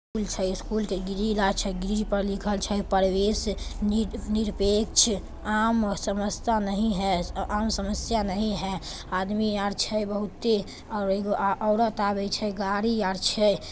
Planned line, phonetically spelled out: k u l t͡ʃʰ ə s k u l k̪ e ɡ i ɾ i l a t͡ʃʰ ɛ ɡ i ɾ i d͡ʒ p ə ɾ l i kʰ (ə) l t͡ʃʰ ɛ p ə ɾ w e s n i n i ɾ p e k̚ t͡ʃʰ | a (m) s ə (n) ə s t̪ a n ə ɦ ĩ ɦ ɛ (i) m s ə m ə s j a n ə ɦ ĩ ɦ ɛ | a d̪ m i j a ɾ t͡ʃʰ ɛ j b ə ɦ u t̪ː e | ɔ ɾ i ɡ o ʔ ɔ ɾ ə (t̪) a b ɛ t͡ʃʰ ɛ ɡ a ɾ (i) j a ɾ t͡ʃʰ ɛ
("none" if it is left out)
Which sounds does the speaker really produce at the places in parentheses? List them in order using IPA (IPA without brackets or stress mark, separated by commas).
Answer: ə, m, m, a, t̪, i